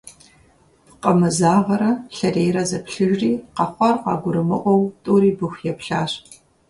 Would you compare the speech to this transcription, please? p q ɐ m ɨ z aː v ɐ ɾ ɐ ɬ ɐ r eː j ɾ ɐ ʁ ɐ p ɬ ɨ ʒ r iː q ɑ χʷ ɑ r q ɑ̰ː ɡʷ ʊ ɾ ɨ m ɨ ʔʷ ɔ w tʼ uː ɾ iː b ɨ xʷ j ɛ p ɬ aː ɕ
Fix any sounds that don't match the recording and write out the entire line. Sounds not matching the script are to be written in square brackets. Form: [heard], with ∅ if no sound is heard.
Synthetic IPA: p q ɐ m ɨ z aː [ʁ] ɐ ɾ ɐ ɬ ɐ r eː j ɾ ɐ [z] ɐ p ɬ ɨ ʒ r iː q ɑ χʷ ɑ r q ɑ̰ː ɡʷ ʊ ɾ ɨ m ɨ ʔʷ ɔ w tʼ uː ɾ iː b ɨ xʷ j ɛ p ɬ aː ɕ

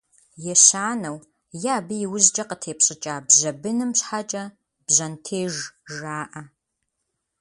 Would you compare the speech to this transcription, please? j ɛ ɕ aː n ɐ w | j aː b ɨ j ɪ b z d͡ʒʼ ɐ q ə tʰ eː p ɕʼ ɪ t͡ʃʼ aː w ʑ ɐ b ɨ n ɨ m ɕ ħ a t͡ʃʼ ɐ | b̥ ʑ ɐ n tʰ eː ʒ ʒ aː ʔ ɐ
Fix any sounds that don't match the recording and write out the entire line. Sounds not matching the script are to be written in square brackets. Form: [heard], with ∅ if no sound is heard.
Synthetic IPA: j ɛ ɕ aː n ɐ w | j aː b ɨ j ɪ [w] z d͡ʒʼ ɐ q ə tʰ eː p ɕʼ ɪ t͡ʃʼ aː [b] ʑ ɐ b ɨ n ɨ m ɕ ħ a t͡ʃʼ ɐ | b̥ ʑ ɐ n tʰ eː ʒ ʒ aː ʔ ɐ

